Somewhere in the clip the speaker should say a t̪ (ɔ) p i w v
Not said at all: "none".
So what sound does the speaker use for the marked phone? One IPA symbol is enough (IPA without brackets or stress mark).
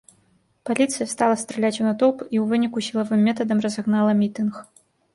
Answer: ɔ